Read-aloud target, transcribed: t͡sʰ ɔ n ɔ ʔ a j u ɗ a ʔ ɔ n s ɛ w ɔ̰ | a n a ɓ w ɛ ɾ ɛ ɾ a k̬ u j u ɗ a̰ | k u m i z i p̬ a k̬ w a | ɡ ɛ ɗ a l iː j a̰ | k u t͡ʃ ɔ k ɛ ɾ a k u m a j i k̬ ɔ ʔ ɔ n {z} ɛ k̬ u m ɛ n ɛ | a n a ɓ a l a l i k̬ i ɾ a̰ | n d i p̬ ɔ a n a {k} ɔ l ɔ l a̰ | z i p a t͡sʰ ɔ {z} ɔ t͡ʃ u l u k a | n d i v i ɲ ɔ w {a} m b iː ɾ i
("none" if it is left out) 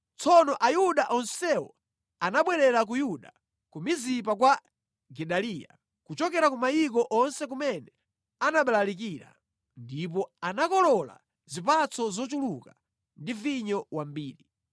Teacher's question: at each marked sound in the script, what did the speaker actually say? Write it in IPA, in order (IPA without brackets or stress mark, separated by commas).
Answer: s, k, z, a